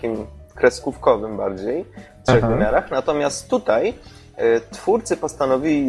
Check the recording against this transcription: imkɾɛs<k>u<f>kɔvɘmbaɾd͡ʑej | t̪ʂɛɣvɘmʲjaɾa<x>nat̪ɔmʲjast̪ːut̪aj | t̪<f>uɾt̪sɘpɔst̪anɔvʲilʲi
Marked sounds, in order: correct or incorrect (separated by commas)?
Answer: correct, correct, correct, correct